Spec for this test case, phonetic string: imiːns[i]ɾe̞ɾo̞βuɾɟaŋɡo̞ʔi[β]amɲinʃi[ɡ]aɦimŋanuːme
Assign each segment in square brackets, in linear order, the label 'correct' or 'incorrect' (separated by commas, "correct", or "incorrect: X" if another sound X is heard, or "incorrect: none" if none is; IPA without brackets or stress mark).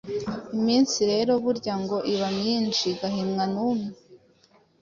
correct, correct, correct